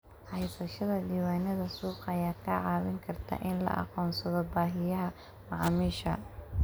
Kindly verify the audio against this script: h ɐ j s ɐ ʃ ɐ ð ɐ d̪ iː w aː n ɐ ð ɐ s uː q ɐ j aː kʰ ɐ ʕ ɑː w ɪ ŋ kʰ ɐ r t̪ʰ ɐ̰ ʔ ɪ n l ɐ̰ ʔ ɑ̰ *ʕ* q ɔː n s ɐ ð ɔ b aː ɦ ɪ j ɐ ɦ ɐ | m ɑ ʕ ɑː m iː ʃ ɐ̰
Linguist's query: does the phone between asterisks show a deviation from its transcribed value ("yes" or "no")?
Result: yes